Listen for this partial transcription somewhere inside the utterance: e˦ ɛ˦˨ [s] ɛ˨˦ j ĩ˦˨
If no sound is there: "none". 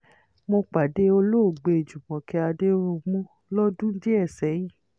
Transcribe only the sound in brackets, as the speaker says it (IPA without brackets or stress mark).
s